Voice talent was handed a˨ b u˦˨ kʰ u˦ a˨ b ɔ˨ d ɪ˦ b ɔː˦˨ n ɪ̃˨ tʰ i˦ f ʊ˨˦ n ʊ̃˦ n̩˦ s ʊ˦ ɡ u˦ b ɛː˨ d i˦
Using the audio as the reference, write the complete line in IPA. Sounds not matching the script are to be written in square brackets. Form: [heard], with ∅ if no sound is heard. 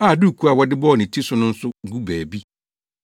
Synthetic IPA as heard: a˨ [d] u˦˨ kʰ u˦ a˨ [w] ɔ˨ d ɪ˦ b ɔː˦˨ n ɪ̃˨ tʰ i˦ [s] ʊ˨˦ n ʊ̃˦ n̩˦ s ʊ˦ ɡ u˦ b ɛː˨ [b] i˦

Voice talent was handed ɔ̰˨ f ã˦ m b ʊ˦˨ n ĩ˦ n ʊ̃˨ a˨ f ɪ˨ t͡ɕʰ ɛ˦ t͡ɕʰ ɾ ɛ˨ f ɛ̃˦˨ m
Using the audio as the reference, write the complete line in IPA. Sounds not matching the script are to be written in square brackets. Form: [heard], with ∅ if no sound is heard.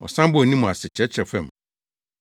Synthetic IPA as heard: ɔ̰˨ [s] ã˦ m b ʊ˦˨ n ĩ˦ [m] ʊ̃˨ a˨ [s] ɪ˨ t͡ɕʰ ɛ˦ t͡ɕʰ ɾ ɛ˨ f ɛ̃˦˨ m

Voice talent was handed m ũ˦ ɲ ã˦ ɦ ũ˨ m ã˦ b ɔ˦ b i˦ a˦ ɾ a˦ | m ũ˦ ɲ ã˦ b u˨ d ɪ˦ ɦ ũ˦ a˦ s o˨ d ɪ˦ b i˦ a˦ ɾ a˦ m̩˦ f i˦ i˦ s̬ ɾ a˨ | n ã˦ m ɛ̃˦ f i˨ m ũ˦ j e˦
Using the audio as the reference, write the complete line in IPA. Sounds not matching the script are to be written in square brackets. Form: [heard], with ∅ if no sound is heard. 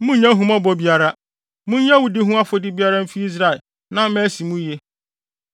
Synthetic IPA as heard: m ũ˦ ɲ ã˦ ɦ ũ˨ m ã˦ b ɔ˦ b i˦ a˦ ɾ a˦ | m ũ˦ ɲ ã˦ [w] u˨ d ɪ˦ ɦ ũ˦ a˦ [f] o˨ d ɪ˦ b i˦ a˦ ɾ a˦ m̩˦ f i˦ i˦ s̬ ɾ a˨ | n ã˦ m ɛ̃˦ [s] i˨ m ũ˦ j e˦

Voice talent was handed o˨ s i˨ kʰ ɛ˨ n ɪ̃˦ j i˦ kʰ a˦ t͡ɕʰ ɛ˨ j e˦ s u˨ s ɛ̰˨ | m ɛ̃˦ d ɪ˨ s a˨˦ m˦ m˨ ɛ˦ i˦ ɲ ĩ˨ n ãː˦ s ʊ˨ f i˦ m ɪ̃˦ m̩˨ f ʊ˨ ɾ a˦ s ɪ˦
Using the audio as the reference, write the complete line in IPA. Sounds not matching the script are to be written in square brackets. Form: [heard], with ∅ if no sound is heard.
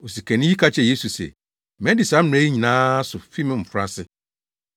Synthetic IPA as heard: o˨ s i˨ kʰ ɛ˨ n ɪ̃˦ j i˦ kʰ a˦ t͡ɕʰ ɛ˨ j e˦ s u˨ s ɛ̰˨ | m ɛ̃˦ d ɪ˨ s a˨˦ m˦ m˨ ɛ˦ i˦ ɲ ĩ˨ n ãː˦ s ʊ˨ f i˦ m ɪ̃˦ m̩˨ f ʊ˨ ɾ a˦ s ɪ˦

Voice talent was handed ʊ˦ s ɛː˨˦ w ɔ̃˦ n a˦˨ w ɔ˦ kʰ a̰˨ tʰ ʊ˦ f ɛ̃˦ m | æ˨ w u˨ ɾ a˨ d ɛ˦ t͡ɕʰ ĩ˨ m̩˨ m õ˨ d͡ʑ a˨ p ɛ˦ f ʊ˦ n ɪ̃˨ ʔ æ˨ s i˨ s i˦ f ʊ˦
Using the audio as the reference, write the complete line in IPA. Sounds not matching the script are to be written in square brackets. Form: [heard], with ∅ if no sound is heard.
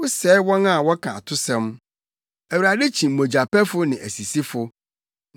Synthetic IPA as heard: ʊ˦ s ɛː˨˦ w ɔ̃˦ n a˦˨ w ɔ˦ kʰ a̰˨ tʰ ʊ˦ [s] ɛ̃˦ m | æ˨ w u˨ ɾ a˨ d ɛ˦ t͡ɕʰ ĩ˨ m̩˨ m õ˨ d͡ʑ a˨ p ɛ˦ f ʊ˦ n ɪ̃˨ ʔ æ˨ s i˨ s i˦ f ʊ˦

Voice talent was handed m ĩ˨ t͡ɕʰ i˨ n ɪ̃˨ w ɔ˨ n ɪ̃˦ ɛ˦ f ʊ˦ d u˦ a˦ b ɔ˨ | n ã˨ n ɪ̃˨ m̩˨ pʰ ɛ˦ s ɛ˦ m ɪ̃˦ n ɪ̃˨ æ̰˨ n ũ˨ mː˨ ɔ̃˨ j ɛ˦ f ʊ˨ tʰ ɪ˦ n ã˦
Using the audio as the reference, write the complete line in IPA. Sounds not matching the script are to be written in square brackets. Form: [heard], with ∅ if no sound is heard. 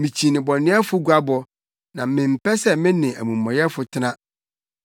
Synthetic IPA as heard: m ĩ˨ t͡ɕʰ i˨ n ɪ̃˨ [b] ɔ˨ n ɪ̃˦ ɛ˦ f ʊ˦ [ɡ] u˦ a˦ b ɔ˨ | n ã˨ [m] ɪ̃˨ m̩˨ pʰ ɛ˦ s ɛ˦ m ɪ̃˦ n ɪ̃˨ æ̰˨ [m] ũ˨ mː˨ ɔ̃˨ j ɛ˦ f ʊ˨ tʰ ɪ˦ n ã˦

